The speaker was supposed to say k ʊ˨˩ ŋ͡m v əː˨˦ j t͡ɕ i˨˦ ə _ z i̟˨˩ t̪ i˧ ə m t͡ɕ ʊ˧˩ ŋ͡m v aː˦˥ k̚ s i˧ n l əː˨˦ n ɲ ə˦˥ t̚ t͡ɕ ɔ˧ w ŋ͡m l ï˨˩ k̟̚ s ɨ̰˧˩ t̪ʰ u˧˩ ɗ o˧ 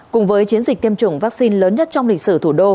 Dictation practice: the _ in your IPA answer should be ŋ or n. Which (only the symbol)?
n